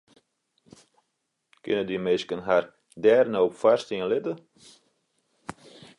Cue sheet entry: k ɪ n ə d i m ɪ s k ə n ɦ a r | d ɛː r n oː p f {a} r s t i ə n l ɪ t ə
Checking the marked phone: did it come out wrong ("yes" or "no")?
no